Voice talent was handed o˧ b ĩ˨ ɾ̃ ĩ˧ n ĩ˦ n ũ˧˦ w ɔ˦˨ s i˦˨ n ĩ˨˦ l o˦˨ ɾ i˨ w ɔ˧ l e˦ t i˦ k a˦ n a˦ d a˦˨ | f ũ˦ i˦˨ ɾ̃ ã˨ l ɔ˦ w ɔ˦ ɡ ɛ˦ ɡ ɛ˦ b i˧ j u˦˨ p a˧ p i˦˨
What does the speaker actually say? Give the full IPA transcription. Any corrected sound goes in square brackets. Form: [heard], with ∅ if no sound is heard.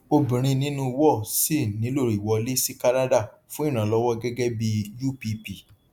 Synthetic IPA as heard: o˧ b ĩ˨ ɾ̃ ĩ˧ n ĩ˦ n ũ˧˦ w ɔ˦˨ s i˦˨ n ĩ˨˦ l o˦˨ ɾ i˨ w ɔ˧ l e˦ [s] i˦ k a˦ n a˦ d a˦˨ | f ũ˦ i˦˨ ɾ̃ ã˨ l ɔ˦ w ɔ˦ ɡ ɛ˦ ɡ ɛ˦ b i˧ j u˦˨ p [i˧] p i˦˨